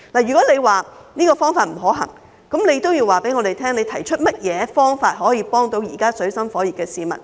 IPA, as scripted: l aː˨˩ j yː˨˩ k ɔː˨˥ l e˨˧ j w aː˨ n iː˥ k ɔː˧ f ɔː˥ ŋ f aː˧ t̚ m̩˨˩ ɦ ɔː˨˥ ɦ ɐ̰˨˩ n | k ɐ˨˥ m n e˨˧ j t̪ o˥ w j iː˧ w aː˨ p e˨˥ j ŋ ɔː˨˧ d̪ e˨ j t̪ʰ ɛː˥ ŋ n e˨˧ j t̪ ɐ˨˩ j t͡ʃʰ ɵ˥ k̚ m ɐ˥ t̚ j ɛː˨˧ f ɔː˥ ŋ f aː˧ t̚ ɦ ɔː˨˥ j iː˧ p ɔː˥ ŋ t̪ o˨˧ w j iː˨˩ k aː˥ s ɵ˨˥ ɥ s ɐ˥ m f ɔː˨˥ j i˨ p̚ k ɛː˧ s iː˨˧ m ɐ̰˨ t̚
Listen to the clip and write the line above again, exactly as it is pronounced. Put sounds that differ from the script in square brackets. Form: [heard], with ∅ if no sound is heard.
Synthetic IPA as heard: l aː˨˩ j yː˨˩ k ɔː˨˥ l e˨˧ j w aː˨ n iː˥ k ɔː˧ f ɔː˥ ŋ f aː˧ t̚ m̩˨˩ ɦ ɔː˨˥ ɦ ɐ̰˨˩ [ŋ] | k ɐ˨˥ m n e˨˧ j t̪ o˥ w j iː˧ w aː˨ p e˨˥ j ŋ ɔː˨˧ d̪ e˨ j t̪ʰ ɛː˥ ŋ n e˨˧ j [t̪ʰ] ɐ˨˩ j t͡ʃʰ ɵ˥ [t̚] m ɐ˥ t̚ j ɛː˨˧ f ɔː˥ ŋ f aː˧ t̚ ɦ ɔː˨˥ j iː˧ p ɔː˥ ŋ t̪ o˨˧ w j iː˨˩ k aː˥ s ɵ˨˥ ɥ s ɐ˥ m f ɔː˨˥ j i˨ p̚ k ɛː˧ s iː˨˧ m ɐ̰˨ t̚

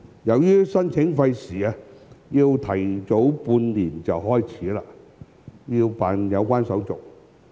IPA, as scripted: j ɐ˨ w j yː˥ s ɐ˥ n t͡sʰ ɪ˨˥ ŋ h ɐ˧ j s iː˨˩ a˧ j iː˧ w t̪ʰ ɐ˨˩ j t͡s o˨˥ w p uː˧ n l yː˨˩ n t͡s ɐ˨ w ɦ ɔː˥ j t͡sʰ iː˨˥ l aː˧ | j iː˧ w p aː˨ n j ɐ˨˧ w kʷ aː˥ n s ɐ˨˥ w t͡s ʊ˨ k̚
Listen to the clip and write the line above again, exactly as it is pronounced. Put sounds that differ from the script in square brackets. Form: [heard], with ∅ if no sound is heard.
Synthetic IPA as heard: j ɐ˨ w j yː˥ s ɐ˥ n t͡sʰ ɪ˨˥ ŋ [f] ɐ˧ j s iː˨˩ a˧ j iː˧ w t̪ʰ ɐ˨˩ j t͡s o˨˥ w p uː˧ n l [iː˨˩] n t͡s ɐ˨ w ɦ ɔː˥ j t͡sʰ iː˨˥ l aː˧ | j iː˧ w p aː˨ n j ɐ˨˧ w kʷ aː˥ n s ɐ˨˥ w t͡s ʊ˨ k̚

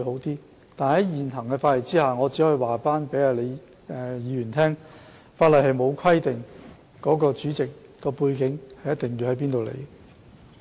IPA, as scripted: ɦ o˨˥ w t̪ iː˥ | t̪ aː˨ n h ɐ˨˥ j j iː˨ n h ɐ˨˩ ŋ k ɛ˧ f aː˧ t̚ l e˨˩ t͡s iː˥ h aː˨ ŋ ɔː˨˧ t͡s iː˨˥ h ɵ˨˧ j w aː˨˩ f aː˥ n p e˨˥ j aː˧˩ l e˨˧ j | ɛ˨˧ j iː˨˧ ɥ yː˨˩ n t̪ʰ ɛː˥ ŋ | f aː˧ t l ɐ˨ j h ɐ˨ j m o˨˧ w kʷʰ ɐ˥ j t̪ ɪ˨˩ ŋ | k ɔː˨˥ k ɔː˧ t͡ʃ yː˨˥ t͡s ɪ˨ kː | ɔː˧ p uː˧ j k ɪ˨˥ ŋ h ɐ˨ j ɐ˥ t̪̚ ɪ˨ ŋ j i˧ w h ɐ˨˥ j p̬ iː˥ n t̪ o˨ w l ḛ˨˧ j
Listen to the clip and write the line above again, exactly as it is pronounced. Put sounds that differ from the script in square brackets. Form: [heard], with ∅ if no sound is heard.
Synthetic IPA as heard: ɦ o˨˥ w t̪ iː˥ | t̪ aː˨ n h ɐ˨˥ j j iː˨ n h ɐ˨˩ ŋ k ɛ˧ f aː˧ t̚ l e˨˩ t͡s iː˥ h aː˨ ŋ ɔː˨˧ t͡s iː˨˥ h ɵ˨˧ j w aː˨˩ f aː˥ n p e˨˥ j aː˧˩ l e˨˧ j | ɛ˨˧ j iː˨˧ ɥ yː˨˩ n t̪ʰ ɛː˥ ŋ | f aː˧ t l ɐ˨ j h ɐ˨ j m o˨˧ w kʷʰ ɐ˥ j t̪ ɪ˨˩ ŋ | k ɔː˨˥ k ɔː˧ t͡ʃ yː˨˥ t͡s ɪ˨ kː | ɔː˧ p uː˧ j k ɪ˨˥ ŋ h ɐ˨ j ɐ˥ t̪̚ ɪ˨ ŋ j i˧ w h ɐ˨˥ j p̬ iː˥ n t̪ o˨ w l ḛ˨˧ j

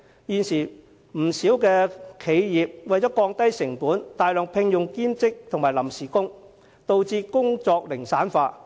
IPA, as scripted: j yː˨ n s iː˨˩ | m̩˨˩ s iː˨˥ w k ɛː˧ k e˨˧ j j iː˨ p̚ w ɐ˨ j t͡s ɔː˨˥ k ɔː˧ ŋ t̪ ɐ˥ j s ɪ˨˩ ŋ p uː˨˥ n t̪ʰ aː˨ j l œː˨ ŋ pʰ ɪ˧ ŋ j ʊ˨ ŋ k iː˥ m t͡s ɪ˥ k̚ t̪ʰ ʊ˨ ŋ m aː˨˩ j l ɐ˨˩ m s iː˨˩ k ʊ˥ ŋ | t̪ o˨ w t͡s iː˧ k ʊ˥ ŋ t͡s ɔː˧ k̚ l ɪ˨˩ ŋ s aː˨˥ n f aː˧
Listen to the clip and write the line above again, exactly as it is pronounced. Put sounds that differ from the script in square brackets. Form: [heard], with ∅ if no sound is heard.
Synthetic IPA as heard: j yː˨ n s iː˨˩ | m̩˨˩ s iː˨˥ w k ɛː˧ [kʰ] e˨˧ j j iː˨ p̚ w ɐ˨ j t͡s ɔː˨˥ k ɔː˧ ŋ t̪ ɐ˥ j s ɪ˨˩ ŋ p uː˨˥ n [t̪] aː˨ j l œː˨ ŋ pʰ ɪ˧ ŋ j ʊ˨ ŋ k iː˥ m t͡s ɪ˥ k̚ t̪ʰ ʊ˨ ŋ m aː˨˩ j l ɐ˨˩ m s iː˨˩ k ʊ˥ ŋ | t̪ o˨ w t͡s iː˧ k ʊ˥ ŋ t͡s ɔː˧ k̚ l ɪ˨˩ ŋ s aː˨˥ n f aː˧

